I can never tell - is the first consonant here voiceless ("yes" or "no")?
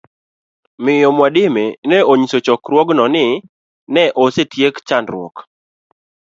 no